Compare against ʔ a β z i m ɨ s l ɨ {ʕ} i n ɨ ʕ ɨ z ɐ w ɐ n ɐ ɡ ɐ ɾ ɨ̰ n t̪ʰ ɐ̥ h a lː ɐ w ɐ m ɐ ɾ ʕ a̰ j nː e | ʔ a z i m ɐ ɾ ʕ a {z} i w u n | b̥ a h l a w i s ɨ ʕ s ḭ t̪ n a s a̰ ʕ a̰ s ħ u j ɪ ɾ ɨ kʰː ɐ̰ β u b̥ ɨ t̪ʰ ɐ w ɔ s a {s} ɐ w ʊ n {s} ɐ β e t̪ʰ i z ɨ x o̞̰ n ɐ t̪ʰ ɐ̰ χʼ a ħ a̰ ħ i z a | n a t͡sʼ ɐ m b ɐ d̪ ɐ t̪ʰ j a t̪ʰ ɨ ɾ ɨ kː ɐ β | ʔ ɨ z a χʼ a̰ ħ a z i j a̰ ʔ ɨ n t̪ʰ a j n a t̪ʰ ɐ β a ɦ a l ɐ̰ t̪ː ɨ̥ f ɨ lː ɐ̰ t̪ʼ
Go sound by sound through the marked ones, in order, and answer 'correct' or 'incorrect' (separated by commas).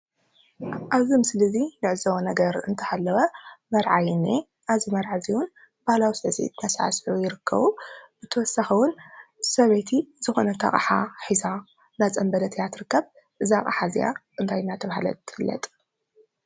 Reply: incorrect, correct, incorrect, correct